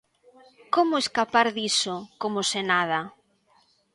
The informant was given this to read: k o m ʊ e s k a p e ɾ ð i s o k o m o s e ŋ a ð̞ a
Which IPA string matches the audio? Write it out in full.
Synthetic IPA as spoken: k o m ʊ e s k a p a ɾ ð i s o k o m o s e n a ð̞ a